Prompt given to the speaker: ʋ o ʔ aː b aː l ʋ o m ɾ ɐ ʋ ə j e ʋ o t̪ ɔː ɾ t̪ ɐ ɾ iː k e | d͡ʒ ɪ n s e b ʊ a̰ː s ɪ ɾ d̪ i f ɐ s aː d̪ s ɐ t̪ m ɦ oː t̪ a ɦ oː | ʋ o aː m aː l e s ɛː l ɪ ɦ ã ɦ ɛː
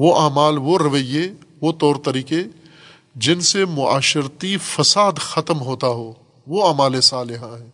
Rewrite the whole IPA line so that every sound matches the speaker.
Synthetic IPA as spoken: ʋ o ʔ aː m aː l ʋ o ɾ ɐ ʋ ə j e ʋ o t̪ ɔː ɾ t̪ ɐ ɾ iː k e | d͡ʒ ɪ n s e m ʊ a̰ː ʃ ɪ ɾ t̪ i f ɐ s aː d̪ x ɐ t̪ m ɦ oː t̪ a ɦ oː | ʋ o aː m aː l e s aː l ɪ ɦ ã ɦ ɛː